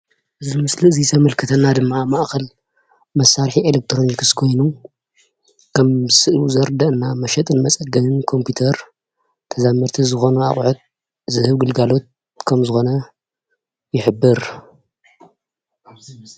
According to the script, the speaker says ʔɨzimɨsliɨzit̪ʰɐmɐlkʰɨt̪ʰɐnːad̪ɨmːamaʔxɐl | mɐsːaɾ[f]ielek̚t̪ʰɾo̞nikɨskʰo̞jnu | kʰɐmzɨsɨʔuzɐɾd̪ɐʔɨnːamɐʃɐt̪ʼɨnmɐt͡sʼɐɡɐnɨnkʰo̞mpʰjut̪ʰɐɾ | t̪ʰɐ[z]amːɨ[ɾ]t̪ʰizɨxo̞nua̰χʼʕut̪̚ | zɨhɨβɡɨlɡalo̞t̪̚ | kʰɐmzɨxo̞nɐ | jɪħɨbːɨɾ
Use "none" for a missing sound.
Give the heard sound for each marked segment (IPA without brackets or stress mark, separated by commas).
ħ, z, ɾ